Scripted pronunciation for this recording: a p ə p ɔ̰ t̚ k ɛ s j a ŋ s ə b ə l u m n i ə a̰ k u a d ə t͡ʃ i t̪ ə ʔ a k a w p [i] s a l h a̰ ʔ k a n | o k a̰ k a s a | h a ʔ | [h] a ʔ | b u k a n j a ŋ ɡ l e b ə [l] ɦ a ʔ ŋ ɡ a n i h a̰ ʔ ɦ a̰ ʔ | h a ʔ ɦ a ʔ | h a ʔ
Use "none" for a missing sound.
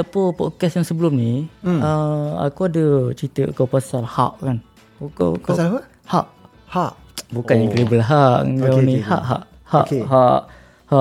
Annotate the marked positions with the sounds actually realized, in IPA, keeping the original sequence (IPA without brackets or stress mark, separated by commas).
a, h, l